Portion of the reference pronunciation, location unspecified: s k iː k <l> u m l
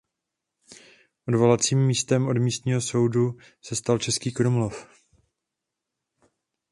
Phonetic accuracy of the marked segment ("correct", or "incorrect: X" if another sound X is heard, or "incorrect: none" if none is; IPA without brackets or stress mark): incorrect: ɾ